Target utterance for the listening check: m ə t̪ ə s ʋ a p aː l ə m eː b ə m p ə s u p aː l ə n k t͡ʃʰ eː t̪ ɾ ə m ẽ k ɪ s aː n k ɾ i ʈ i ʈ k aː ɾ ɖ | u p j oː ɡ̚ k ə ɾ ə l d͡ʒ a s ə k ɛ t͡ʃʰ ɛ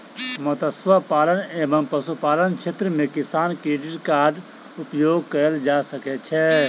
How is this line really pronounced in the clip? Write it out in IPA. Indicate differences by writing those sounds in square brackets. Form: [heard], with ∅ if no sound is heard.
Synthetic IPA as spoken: m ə t̪ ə s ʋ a p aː l ə [n] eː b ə m p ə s u p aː l ə n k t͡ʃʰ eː t̪ ɾ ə m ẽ k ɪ s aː n k ɾ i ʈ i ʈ k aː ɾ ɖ | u p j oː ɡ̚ k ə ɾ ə l d͡ʒ a s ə k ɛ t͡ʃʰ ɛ